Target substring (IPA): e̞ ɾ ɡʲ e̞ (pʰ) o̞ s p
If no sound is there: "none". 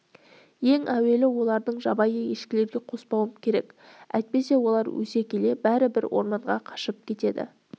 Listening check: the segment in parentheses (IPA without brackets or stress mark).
qʰ